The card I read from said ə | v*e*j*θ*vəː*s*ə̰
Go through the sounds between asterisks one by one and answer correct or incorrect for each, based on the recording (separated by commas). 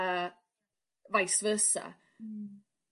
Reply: incorrect, incorrect, correct